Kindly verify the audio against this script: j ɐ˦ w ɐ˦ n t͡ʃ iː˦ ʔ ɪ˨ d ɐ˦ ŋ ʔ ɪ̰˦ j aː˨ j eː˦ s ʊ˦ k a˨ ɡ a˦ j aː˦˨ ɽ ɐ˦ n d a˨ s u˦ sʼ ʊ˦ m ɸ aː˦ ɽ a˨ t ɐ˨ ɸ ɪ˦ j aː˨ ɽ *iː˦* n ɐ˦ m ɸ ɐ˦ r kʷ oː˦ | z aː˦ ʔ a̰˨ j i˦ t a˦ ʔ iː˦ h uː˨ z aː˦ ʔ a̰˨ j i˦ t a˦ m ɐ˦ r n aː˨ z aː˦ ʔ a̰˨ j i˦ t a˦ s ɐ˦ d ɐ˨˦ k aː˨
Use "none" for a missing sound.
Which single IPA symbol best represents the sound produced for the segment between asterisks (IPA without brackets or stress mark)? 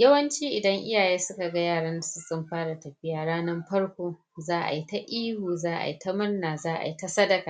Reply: aː˦